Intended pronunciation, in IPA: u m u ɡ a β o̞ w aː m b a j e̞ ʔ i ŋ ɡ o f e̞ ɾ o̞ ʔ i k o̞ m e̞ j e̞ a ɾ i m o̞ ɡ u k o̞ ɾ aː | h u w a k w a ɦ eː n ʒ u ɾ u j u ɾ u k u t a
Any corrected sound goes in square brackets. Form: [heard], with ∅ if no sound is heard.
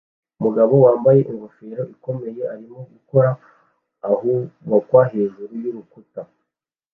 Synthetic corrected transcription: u m u ɡ a β o̞ w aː m b a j e̞ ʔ i ŋ ɡ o f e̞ ɾ o̞ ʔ i k o̞ m e̞ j e̞ a ɾ i m o̞ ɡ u k o̞ ɾ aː | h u w a k w a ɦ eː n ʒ u ɾ u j u ɾ u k u t a